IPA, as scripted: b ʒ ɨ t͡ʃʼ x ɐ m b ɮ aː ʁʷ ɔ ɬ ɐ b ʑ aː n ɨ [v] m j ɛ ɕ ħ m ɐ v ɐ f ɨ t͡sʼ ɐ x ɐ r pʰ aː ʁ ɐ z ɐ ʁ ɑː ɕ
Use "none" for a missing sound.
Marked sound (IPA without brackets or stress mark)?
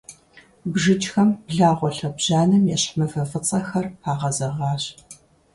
none